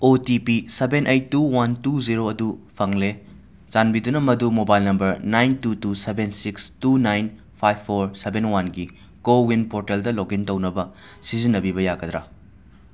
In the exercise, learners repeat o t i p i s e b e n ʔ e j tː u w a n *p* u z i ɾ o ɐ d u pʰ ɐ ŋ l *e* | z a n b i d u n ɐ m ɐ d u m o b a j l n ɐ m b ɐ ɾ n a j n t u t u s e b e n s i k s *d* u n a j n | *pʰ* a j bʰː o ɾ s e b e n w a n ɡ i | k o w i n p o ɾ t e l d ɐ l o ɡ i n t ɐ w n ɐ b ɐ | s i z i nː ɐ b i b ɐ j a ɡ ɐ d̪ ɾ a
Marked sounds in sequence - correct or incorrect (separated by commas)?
incorrect, correct, incorrect, correct